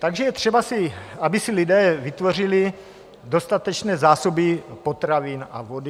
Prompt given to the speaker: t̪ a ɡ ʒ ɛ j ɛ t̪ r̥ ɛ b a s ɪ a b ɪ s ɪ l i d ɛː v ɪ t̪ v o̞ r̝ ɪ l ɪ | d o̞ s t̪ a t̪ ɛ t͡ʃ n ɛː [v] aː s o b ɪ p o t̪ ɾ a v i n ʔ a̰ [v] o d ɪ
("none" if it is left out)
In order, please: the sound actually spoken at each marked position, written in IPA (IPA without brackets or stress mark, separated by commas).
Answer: z, v